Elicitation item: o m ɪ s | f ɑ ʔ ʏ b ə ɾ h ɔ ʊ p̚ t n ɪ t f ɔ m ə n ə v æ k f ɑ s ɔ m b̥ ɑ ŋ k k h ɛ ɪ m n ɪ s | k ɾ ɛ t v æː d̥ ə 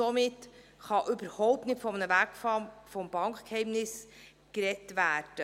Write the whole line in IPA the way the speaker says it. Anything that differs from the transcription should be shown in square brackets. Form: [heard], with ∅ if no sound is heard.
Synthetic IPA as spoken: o m ɪ [t] | [χ] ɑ ʔ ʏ b ə ɾ h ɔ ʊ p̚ t n ɪ t f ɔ m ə n ə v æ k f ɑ [f] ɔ m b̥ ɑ ŋ k k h ɛ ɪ m n ɪ s | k ɾ ɛ t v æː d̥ ə